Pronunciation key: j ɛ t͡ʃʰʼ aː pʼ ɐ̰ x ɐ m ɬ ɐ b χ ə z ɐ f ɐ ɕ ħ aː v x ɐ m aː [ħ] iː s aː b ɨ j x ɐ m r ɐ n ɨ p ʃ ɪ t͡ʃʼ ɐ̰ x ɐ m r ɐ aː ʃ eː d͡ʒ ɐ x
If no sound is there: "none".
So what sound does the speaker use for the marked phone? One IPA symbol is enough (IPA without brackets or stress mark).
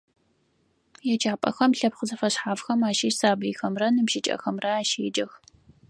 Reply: ʃ